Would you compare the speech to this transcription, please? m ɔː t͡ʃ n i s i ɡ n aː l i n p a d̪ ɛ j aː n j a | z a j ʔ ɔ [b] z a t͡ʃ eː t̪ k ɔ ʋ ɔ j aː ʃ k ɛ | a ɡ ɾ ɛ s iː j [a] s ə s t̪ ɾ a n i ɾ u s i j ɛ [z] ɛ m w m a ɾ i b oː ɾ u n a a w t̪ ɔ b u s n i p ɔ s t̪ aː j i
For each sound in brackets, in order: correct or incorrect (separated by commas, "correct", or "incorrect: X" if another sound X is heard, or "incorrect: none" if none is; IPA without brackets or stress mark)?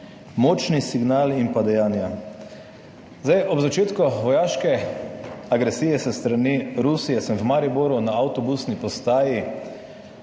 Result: correct, incorrect: ɛ, incorrect: s